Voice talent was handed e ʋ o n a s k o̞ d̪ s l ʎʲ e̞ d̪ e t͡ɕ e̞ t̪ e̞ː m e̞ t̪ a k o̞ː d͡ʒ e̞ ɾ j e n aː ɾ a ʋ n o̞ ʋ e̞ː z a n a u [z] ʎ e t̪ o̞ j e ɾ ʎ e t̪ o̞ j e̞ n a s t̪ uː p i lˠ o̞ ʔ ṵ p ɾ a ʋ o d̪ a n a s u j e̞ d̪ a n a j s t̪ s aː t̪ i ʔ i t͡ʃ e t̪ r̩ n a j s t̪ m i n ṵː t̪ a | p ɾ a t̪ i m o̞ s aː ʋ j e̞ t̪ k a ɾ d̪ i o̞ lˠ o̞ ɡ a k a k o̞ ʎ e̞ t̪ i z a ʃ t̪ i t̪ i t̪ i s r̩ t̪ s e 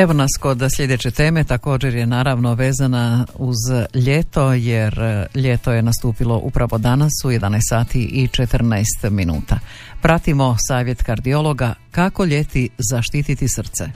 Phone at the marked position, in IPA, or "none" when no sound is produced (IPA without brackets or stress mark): z